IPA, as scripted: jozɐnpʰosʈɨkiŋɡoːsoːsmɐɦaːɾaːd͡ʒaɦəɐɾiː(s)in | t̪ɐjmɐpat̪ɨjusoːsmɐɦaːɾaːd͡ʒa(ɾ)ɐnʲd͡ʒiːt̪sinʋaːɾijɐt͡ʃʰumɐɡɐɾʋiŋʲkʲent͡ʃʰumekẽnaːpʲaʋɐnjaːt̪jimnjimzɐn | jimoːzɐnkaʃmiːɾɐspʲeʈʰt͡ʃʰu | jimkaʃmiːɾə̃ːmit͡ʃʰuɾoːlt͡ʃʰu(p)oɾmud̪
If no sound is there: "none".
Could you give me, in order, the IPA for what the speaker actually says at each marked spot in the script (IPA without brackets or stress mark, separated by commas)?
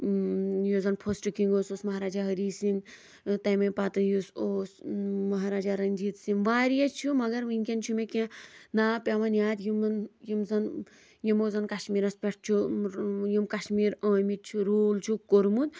s, ɾ, k